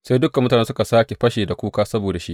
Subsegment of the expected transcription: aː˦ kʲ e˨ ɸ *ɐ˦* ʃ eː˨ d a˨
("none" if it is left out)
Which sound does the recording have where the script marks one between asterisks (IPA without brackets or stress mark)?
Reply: ɐ˦